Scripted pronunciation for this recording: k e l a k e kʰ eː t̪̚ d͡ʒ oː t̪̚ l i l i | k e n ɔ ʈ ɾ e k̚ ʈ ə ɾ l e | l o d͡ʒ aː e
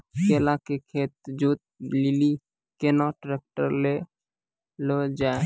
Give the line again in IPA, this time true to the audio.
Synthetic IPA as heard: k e l a k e kʰ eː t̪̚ d͡ʒ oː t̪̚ l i l i | k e n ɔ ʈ ɾ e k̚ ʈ ə ɾ l e | l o d͡ʒ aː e